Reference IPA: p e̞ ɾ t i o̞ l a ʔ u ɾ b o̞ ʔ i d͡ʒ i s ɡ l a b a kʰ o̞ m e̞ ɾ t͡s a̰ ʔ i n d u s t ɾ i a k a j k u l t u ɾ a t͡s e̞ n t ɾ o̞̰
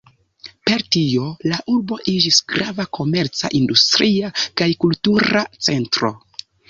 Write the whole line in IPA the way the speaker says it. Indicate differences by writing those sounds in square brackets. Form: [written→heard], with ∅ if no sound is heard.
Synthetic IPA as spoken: p e̞ ɾ t i o̞ l a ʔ u ɾ b o̞ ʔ i d͡ʒ i s ɡ [l→ɾ] a [b→v] a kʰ o̞ m e̞ ɾ t͡s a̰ ʔ i n d u s t ɾ i a k a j k u l t u ɾ a t͡s e̞ n t ɾ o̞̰